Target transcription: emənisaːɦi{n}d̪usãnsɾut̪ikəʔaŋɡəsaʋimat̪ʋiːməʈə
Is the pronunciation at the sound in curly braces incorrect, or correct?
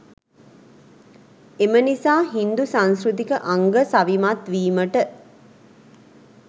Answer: correct